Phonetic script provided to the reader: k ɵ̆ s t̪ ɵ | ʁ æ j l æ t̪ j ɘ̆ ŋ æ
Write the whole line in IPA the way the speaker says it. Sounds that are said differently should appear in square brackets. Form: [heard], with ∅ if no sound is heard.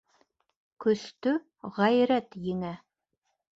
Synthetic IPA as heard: k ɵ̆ s t̪ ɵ | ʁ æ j [ɾ] æ t̪ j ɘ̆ ŋ æ